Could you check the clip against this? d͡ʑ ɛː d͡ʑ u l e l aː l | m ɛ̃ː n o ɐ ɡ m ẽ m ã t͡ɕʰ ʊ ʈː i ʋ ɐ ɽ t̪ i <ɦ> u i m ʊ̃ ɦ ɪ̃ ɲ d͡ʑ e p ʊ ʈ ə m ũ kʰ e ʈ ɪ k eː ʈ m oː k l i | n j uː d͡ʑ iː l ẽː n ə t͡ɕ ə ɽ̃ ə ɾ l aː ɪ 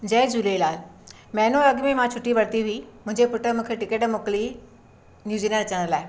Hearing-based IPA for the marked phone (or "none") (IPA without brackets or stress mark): ɦ